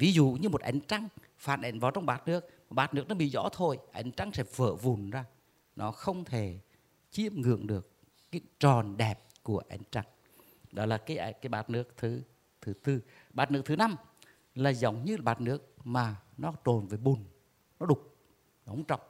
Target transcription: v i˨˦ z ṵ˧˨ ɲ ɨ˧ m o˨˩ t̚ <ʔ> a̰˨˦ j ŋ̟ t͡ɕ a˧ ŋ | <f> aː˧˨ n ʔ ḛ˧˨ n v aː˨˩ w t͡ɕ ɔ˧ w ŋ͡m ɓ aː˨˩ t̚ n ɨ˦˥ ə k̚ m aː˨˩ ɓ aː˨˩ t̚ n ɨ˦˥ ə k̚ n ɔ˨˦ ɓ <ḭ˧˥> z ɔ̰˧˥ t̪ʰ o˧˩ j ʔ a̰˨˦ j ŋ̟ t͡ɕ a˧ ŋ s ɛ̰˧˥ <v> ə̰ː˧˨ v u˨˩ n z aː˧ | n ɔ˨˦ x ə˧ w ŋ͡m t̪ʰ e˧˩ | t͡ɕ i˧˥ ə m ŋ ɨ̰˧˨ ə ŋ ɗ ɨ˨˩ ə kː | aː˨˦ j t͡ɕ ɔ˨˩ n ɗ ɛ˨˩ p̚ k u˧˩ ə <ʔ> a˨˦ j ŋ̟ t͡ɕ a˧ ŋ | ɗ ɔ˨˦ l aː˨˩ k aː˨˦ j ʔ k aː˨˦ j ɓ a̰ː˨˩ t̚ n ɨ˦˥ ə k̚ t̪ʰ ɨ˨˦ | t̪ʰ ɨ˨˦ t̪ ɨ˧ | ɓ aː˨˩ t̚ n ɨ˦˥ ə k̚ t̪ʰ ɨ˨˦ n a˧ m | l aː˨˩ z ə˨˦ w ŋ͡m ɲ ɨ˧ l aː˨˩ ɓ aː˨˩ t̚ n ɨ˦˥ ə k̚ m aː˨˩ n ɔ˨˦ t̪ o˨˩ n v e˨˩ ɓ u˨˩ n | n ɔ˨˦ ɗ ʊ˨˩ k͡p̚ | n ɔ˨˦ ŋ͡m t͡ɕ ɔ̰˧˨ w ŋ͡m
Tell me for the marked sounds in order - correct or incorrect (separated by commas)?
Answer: correct, correct, incorrect, correct, correct